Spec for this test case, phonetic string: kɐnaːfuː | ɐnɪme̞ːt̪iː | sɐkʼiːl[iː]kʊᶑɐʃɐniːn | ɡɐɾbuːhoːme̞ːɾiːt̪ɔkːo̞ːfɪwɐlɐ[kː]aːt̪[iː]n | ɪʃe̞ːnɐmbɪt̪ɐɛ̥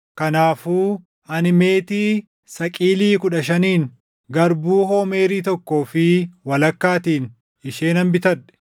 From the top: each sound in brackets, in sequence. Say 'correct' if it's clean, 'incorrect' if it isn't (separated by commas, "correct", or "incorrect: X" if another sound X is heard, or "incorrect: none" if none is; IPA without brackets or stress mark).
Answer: correct, correct, correct